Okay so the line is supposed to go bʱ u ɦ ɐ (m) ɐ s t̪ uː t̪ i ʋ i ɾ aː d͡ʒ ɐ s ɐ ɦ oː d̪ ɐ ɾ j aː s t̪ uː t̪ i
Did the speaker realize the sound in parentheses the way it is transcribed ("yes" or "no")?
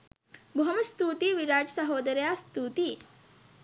yes